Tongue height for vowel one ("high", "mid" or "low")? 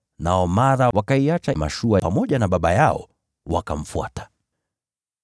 low